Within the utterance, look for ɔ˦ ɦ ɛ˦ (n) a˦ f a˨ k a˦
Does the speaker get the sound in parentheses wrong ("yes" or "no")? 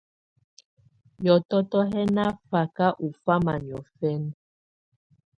no